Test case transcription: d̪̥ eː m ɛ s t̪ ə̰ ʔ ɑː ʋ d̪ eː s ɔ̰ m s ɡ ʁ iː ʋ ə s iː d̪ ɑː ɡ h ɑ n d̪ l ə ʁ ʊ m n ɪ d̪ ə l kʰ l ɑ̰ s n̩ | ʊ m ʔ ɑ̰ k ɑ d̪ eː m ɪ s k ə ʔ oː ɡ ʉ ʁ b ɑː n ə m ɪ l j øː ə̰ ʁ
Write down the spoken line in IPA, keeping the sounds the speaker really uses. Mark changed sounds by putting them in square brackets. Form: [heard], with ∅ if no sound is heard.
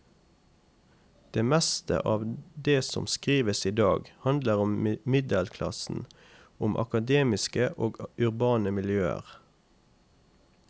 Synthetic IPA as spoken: d̪̥ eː m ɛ s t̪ ə̰ ʔ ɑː ʋ d̪ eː s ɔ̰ m s [k] ʁ iː ʋ ə s iː d̪ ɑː ɡ h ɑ n d̪ l ə ʁ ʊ m [m] ɪ d̪ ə l kʰ l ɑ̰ s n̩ | ʊ m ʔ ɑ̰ k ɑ d̪ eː m ɪ s k ə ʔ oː ɡ ʉ ʁ b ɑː n ə m ɪ l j øː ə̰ ʁ